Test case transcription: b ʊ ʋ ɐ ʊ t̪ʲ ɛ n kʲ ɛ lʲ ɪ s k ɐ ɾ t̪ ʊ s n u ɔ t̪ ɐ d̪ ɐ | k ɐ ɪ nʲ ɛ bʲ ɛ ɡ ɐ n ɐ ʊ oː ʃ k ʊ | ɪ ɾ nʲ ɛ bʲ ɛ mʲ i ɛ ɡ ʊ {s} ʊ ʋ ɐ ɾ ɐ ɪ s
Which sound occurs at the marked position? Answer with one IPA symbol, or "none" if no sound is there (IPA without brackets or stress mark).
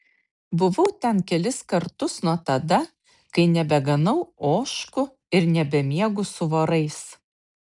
s